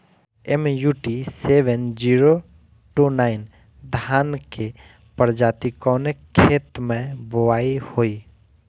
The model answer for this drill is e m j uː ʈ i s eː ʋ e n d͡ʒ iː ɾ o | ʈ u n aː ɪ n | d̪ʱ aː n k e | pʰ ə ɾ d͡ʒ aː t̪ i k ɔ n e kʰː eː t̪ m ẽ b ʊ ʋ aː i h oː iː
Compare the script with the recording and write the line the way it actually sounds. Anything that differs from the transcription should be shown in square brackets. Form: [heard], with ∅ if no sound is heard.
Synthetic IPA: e m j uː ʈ i s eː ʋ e n d͡ʒ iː ɾ o | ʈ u n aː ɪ n | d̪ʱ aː n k e | [p] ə ɾ d͡ʒ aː t̪ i k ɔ n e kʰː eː t̪ m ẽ b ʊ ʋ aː i h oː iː

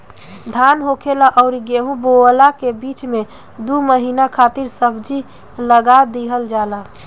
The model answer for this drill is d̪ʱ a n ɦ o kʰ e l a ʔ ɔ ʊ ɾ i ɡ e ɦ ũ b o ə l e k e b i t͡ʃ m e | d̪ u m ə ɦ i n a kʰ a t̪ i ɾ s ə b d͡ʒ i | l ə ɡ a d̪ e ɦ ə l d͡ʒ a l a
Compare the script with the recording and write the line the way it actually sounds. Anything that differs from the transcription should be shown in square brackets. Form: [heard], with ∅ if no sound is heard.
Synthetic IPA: d̪ʱ a n ɦ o kʰ e l a ʔ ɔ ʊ ɾ i ɡ e ɦ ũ b o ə l [a] k e b i t͡ʃ m e | d̪ u m ə ɦ i n a kʰ a t̪ i ɾ s ə b d͡ʒ i | l ə ɡ a d̪ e ɦ ə l d͡ʒ a l a

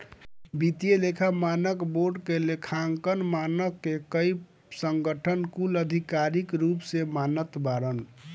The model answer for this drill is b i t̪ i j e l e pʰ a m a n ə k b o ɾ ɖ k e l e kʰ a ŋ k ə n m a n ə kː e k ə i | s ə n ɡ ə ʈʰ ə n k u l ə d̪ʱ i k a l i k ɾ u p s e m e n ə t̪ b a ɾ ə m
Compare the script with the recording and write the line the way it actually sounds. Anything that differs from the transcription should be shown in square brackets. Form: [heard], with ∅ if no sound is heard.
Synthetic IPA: b i t̪ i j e l e [kʰ] a m a n ə k b o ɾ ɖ k e l e kʰ a ŋ k ə n m a n ə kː e k ə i | s ə [ŋ] ɡ ə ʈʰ ə n k u l ə d̪ʱ i k a [ɾ] i k ɾ u p s e m [a] n ə t̪ b a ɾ ə [n]

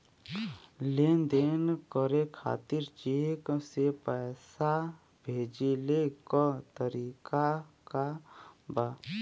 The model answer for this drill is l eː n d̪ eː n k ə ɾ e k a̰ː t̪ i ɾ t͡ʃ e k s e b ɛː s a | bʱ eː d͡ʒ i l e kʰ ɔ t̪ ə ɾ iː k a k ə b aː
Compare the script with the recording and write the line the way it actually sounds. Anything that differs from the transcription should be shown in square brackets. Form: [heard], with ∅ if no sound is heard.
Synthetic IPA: l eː n d̪ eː n k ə ɾ e [kʰ] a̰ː t̪ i ɾ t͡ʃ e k s e [p] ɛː s a | bʱ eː d͡ʒ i l e [k] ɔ t̪ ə ɾ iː k a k [a] b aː

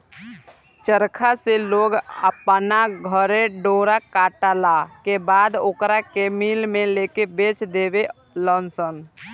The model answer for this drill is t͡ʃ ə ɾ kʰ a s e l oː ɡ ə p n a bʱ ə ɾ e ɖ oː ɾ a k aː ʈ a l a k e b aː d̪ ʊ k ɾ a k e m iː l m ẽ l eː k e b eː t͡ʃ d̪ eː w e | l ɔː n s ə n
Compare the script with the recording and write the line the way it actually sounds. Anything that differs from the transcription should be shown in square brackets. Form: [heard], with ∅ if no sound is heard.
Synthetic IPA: t͡ʃ ə ɾ kʰ a s e l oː ɡ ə p n a [ɡʱ] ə ɾ e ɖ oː ɾ a k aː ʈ a l a k e b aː d̪ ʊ k ɾ a k e m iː l m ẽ l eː k e b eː t͡ʃ d̪ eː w e | l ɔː n s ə n

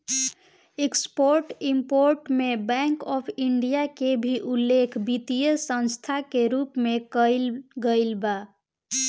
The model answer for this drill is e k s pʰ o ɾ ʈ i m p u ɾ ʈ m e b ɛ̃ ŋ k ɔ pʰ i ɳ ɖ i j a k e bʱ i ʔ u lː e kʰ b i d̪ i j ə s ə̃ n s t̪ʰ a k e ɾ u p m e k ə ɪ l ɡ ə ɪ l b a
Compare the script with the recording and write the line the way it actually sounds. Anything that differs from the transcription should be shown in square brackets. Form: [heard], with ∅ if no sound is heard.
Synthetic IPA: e k s [p] o ɾ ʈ i m p [o] ɾ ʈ m e b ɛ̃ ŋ k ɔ pʰ i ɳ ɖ i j a k e bʱ i ʔ u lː e kʰ b i [t̪] i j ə s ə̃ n s t̪ʰ a k e ɾ u p m e k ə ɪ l ɡ ə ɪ l b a

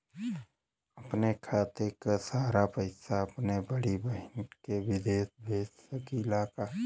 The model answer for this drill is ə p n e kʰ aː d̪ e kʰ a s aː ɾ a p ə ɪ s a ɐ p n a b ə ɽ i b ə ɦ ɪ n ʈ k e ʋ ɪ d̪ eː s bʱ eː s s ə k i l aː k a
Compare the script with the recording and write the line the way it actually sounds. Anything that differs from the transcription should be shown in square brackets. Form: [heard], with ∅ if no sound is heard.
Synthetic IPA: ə p n e kʰ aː [t̪] e [k] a s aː ɾ a p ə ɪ s a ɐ p n [e] b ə ɽ i b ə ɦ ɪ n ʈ k e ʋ ɪ d̪ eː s bʱ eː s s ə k i l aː k a

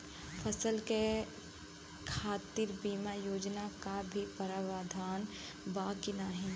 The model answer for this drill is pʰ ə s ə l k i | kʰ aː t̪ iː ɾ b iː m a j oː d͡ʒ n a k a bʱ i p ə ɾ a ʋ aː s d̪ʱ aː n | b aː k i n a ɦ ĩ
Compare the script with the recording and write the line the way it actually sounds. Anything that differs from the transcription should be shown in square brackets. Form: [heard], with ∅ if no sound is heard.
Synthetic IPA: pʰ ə s ə l k [e] | kʰ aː t̪ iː ɾ b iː m a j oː d͡ʒ n a k a bʱ i p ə ɾ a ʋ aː [∅] d̪ʱ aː n | b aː k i n a ɦ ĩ

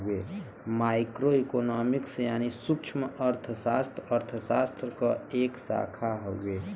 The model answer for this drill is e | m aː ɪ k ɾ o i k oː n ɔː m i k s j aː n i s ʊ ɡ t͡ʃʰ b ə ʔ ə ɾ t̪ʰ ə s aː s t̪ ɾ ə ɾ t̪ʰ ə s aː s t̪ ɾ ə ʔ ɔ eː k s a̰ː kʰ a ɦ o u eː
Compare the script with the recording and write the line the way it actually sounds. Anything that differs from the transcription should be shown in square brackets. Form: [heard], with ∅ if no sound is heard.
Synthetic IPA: e | m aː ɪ k ɾ o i k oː n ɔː m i k s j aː n i s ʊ [k] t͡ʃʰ [m] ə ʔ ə ɾ t̪ʰ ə s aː s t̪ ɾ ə ɾ t̪ʰ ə s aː s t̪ ɾ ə [k] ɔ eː k s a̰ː kʰ a ɦ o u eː

